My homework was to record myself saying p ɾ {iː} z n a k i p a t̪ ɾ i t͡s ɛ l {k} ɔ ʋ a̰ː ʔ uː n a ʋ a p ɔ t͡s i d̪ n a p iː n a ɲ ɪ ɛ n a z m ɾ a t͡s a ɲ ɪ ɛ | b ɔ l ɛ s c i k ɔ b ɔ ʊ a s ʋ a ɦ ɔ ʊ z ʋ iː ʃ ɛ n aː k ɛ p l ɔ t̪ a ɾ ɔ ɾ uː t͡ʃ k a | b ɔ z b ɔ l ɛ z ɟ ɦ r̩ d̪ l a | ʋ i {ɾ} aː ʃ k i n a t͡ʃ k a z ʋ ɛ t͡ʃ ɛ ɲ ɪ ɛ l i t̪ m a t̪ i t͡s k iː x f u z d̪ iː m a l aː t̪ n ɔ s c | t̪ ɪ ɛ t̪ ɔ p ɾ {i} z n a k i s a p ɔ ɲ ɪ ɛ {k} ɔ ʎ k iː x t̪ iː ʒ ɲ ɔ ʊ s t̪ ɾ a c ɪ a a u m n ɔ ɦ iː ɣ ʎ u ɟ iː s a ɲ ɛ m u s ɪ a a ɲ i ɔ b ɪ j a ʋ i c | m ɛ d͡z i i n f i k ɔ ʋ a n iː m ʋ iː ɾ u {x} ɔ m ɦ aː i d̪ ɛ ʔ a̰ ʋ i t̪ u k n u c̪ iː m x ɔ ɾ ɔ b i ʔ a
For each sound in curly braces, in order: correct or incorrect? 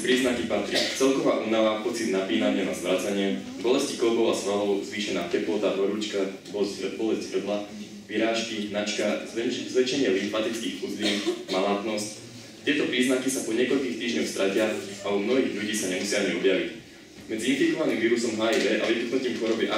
correct, correct, correct, incorrect: iː, correct, incorrect: s

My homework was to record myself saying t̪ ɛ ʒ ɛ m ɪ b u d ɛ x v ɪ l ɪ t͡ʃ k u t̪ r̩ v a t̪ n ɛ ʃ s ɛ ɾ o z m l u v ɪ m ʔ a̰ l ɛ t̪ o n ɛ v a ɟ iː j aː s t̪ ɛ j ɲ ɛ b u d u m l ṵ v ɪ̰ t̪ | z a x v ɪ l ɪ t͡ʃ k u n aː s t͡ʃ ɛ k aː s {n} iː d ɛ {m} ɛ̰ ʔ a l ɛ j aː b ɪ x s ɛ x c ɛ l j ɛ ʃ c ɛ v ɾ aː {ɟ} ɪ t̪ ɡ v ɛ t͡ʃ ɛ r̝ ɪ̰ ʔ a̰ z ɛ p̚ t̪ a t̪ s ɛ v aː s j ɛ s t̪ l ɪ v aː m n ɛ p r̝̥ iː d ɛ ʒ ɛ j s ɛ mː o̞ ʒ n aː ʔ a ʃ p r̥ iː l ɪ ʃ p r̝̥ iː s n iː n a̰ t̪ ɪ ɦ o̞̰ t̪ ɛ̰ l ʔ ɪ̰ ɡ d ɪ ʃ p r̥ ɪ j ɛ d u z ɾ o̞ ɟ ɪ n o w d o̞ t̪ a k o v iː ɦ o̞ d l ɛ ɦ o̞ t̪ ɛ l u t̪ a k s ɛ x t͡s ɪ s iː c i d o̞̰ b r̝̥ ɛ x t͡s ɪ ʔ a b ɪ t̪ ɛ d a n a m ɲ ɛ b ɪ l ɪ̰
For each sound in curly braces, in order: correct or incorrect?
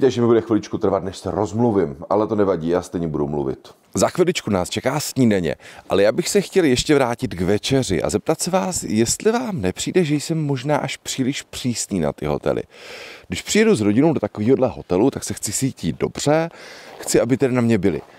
incorrect: ɲ, incorrect: ɲ, incorrect: c

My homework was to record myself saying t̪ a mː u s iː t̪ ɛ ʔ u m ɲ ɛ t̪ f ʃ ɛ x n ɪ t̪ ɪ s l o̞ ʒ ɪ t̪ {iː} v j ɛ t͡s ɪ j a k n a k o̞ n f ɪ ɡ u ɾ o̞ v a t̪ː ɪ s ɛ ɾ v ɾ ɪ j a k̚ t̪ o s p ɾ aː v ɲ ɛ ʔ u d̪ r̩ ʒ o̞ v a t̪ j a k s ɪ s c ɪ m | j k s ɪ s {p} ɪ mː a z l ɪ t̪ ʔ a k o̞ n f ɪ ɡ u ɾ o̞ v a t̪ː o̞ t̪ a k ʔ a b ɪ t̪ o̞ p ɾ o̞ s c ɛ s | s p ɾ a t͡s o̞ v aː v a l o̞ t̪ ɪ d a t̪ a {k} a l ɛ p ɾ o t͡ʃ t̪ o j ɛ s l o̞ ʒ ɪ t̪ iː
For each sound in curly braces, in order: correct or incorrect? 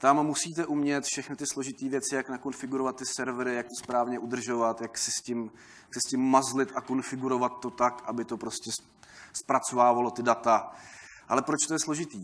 correct, incorrect: c, incorrect: ʔ

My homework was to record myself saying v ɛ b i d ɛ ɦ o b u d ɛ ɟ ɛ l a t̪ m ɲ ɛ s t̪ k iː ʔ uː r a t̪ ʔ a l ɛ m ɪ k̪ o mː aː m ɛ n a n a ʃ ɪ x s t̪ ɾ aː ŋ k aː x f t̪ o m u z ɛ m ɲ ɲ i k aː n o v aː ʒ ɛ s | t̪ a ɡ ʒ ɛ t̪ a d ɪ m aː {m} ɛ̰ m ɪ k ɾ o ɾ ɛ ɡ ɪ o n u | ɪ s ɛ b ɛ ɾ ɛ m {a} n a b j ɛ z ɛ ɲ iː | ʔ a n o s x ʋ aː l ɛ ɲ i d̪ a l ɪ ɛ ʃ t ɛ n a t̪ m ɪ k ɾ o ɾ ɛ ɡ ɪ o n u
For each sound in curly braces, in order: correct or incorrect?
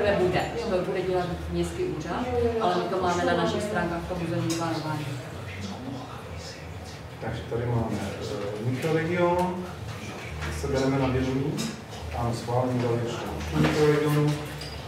correct, incorrect: ɛ

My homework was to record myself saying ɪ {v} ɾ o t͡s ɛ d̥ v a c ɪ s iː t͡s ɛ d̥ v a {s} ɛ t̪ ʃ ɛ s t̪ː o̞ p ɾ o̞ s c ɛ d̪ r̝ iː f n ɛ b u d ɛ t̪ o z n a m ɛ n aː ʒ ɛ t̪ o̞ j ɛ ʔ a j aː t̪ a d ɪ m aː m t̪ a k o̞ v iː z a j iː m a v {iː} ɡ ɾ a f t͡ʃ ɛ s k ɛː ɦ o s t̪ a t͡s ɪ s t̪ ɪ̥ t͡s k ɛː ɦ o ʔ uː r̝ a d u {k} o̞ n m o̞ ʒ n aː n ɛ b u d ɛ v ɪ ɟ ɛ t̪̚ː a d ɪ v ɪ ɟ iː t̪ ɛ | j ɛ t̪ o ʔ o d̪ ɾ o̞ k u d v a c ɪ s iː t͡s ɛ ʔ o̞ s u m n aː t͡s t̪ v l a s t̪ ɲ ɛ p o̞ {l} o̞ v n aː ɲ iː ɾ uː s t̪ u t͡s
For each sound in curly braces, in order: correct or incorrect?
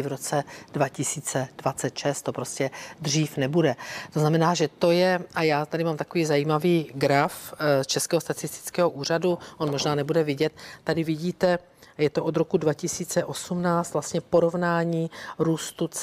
correct, incorrect: t͡s, correct, incorrect: ʔ, incorrect: ɾ

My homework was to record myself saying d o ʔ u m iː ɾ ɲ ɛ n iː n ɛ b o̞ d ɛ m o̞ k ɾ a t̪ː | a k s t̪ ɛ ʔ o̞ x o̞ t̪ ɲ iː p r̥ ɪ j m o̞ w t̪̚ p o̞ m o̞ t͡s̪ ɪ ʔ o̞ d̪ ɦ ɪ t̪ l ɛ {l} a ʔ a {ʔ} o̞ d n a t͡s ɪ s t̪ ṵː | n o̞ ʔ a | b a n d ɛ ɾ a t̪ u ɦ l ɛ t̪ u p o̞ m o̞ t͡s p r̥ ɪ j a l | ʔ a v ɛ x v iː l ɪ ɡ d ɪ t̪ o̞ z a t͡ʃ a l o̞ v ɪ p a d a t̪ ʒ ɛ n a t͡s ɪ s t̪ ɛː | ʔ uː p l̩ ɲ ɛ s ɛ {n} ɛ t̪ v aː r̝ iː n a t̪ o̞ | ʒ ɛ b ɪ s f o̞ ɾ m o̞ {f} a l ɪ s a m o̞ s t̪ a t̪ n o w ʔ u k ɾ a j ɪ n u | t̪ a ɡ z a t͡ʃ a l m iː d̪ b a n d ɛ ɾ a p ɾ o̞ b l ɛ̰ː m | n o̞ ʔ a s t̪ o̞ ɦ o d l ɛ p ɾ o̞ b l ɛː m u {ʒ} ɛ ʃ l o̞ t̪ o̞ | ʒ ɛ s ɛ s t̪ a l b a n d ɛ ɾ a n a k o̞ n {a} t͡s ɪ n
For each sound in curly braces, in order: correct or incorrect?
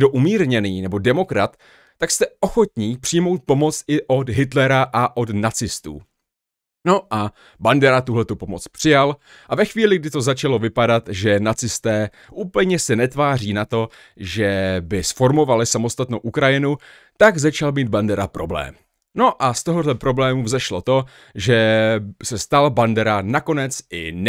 incorrect: ɾ, correct, correct, incorrect: v, incorrect: z, incorrect: ɛ

